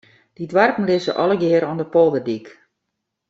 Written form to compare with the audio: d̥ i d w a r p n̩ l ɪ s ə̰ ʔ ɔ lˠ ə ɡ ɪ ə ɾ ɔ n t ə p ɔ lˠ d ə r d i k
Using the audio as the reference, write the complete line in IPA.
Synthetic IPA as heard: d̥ i d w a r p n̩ l ɪ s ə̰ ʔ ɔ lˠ ə ɡ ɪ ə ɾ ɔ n d ə p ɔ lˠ d ə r d i k